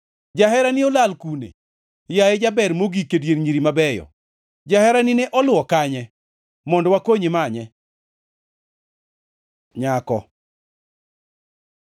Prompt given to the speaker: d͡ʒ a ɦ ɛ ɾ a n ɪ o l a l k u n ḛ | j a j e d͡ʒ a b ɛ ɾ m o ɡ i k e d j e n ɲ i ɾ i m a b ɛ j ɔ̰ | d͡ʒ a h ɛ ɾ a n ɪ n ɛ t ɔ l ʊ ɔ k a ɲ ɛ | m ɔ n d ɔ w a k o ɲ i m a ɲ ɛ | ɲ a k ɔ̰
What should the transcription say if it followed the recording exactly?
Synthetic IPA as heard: d͡ʒ a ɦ ɛ ɾ a n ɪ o l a l k u n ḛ | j a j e d͡ʒ a b ɛ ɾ m o ɡ i k e d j e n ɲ i ɾ i m a b ɛ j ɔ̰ | d͡ʒ a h ɛ ɾ a n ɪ n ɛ ʔ ɔ l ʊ ɔ k a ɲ ɛ | m ɔ n d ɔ w a k o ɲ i m a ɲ ɛ | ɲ a k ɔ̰